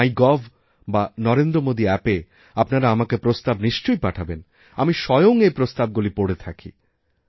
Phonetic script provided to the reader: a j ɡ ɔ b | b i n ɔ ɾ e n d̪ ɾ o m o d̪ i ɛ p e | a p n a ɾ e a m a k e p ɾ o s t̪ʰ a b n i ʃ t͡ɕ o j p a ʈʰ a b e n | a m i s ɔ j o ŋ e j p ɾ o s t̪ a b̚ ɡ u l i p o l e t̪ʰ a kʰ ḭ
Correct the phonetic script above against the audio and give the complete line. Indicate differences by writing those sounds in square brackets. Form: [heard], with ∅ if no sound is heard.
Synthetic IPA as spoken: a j ɡ ɔ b | b [a] n ɔ ɾ e n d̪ ɾ o m o d̪ i ɛ p e | a p n a ɾ [a] a m a k e p ɾ o s [t̪] a b n i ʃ t͡ɕ o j p a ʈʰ a b e n | a m i [ʃ] ɔ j o ŋ e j p ɾ o s t̪ a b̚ ɡ u l i p o [ɽ] e t̪ʰ a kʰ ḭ